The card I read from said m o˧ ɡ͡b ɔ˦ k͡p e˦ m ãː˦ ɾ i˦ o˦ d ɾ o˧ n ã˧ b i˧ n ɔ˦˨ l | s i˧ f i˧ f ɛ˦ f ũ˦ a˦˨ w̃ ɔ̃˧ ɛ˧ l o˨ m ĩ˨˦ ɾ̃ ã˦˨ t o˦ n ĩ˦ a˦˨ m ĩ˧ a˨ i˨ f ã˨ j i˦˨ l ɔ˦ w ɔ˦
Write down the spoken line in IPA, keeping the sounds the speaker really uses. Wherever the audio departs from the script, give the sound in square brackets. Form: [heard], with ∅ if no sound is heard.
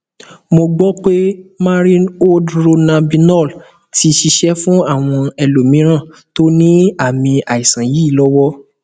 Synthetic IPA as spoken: m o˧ ɡ͡b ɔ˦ k͡p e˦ m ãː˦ ɾ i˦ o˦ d ɾ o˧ n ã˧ b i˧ n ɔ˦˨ l | [t] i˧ [ʃ] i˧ [ʃ] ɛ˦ f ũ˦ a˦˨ w̃ ɔ̃˧ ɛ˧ l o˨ m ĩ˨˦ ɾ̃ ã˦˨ t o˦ n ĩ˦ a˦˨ m ĩ˧ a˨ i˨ [s] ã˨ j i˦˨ l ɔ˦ w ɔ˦